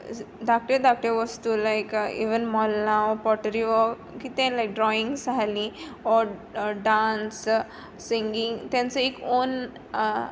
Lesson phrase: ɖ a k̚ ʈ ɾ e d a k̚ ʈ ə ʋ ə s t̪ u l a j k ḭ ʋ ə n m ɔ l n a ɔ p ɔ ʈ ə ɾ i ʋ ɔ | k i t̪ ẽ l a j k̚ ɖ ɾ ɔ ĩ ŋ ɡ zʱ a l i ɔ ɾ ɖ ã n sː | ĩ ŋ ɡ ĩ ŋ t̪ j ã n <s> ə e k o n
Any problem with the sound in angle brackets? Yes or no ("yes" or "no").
yes